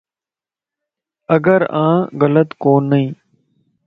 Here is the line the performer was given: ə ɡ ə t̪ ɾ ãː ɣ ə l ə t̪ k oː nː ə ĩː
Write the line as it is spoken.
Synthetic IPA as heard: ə ɡ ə ɾ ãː ɣ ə l ə t̪ k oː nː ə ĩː